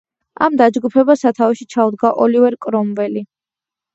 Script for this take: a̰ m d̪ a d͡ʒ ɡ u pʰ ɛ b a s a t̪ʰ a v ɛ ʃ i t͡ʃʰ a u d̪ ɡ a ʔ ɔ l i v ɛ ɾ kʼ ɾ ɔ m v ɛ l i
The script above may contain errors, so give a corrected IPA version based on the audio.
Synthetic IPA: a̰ m d̪ a d͡ʒ ɡ u pʰ ɛ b a s a t̪ʰ a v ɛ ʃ i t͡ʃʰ a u d̪ ɡ a ʔ ɔ l i v ɛ ɾ kʼ ɾ ɔ m v ɛ l i